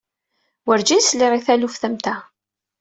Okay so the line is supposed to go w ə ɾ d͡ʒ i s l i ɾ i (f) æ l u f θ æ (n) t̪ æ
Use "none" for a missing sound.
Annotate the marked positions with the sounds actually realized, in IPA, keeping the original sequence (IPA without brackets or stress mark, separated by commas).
θ, m